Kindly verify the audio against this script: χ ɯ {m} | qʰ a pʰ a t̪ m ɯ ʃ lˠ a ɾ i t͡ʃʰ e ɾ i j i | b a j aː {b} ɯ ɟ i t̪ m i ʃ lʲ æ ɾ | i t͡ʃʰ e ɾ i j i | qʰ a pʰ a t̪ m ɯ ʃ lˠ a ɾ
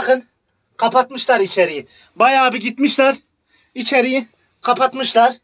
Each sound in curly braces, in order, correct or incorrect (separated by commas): incorrect, correct